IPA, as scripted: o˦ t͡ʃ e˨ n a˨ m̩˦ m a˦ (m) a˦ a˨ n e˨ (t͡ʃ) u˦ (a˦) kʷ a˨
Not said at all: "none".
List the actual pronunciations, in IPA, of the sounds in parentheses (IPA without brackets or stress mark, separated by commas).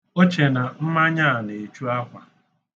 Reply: ɲ, t͡ʃ, a˦